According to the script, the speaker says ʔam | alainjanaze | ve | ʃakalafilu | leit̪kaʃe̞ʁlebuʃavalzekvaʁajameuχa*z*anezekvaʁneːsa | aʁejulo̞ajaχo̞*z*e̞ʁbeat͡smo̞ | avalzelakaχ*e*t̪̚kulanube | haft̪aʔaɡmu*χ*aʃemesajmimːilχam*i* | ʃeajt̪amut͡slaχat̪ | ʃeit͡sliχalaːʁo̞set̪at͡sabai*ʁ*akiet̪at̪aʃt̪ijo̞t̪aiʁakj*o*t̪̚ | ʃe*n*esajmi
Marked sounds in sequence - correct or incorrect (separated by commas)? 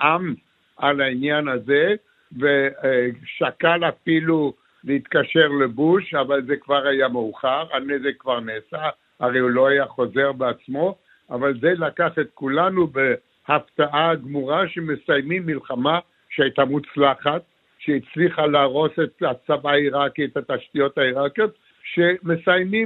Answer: incorrect, correct, correct, incorrect, incorrect, correct, correct, incorrect